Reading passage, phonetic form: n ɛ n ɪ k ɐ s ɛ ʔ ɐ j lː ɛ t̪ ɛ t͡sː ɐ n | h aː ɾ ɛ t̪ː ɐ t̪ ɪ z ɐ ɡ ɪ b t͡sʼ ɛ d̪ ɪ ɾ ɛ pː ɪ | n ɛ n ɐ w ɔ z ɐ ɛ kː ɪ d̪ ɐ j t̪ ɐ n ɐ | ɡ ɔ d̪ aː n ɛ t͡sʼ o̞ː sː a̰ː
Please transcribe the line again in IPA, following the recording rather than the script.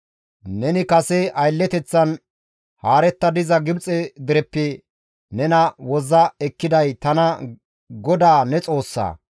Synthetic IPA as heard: n ɛ n ɪ k ɐ s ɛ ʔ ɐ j lː ɛ t̪ ɛ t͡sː ɐ n | h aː ɾ ɛ t̪ː ɐ d̪ ɪ z ɐ ɡ ɪ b t͡sʼ ɛ d̪ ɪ ɾ ɛ pː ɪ | n ɛ n ɐ w ɔ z ɐ ɛ kː ɪ d̪ ɐ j t̪ ɐ n ɐ | ɡ ɔ d̪ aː n ɛ t͡sʼ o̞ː sː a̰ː